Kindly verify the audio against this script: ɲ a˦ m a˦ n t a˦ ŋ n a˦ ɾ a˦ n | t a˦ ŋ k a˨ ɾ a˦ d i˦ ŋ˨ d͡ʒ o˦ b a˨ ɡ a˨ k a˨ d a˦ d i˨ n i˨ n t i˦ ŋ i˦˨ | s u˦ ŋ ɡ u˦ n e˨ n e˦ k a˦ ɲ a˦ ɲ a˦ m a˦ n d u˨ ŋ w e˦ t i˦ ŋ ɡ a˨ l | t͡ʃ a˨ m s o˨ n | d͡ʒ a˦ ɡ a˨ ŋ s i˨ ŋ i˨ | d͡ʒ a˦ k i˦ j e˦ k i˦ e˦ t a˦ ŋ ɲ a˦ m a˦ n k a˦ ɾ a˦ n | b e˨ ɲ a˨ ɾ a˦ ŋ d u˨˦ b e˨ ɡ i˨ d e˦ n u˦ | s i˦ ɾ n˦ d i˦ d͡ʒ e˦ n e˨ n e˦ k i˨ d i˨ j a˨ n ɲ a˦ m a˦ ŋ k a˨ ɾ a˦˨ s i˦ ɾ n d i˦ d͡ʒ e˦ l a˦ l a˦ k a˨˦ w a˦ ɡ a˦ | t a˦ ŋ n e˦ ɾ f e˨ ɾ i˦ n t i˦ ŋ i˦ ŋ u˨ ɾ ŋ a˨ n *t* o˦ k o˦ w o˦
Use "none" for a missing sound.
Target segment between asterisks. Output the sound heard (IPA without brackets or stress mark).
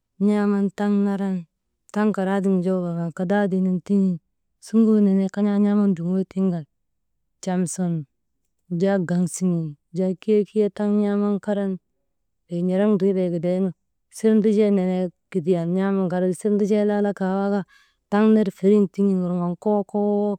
k